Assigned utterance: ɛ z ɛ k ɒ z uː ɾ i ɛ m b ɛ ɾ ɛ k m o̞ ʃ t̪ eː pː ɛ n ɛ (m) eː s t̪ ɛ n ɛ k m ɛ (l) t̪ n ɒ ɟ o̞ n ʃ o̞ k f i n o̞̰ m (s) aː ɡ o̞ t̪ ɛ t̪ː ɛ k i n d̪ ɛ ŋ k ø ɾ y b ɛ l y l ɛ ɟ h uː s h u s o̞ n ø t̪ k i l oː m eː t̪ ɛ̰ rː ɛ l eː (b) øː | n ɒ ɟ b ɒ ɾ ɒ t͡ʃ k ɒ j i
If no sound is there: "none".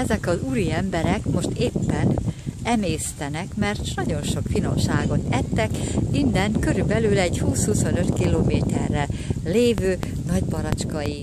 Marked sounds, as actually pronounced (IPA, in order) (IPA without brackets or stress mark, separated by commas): m, r, ʃ, v